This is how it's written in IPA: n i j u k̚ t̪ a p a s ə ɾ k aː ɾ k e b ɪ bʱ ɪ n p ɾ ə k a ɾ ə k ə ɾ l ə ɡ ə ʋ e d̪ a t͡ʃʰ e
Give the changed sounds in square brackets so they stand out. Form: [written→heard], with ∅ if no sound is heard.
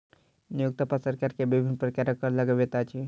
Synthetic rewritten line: n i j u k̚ t̪ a p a s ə ɾ k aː ɾ k e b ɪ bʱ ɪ n p ɾ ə k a ɾ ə k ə ɾ l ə ɡ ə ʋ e [d̪→t̪] a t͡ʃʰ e